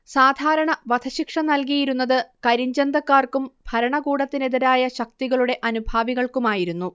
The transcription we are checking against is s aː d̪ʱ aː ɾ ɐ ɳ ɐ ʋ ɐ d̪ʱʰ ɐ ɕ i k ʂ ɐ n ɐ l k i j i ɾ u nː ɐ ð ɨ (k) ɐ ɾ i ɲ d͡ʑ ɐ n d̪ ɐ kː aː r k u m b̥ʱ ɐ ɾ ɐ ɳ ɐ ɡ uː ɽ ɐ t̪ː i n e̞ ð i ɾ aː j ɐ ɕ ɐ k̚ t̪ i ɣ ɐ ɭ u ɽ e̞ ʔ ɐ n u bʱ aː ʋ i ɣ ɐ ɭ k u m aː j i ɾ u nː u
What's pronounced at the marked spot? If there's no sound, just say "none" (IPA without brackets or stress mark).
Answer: k